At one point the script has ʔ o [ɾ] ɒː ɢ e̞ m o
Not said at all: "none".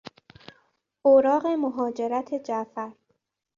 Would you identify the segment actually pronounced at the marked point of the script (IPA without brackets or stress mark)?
ɾ